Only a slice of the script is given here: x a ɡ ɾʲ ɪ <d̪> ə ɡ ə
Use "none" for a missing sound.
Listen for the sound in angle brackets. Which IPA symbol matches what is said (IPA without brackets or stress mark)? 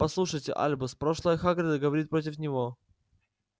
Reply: d̪